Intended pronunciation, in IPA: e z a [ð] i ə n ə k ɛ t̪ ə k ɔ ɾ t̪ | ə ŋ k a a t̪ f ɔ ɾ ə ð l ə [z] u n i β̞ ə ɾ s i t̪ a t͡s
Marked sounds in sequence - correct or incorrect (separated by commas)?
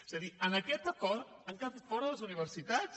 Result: correct, correct